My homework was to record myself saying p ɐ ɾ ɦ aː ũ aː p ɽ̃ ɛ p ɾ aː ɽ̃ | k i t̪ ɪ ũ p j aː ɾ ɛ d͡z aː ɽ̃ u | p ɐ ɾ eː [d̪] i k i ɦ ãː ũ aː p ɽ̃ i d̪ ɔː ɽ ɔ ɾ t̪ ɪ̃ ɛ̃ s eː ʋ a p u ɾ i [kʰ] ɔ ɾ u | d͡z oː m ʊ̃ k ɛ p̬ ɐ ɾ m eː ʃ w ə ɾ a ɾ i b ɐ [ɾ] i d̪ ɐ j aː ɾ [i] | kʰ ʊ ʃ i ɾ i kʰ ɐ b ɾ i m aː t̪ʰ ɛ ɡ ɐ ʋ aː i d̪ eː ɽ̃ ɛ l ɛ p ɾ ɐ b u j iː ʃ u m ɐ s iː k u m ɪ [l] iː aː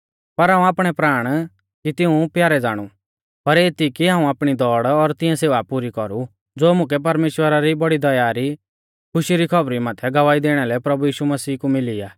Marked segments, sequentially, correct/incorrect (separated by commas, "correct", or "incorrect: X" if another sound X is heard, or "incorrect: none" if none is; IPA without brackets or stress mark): incorrect: t̪, incorrect: k, incorrect: ɽ, correct, correct